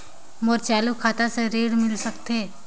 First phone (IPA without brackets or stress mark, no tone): m